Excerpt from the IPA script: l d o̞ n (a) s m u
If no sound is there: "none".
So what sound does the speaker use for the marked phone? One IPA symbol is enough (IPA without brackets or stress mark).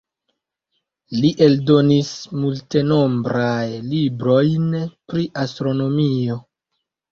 i